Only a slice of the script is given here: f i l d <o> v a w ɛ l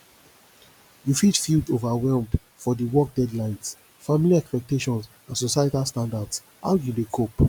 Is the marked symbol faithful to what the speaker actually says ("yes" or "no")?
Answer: yes